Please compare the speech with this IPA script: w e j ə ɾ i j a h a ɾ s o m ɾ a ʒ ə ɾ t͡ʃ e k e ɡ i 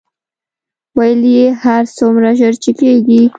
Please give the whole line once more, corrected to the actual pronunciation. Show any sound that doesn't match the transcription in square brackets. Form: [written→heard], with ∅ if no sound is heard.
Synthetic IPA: w [e→a] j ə [ɾ→l] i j [a→e] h a ɾ s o m ɾ a ʒ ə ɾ t͡ʃ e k e ɡ i